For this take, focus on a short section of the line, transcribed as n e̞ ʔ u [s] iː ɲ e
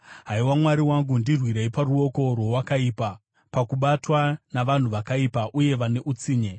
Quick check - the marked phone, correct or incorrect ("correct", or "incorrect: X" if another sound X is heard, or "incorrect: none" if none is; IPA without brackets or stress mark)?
incorrect: t͡s